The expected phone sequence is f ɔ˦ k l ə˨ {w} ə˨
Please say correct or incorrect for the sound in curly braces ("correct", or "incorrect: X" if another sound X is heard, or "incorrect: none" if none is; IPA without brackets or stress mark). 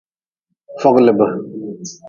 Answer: incorrect: b